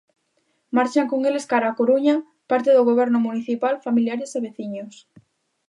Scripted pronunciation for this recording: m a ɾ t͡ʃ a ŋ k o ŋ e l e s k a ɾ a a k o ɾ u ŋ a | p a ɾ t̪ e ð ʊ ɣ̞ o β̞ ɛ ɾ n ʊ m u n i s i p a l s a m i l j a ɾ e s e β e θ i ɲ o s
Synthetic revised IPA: m a ɾ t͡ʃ a ŋ k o ŋ e l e s k a ɾ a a k o ɾ u ɲ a | p a ɾ t̪ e ð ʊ ɣ̞ o β̞ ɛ ɾ n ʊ m u n i θ i p a l f a m i l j a ɾ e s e β e θ i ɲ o s